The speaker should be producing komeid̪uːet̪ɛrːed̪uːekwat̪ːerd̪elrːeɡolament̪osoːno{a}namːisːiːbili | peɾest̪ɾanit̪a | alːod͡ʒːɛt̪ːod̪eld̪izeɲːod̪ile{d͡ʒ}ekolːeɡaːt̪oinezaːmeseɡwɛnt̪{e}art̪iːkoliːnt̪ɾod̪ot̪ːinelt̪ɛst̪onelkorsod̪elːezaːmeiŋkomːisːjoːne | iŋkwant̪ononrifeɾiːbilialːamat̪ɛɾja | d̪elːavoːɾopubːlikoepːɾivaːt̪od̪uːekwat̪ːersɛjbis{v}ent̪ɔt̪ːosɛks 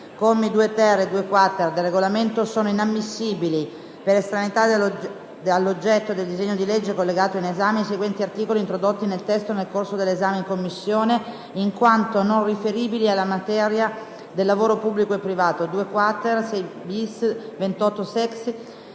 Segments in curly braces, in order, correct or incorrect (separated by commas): incorrect, incorrect, incorrect, correct